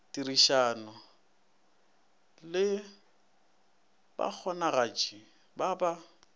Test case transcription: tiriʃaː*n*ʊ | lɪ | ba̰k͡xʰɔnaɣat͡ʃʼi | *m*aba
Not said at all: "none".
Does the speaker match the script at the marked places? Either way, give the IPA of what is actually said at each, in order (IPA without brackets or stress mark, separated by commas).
n, b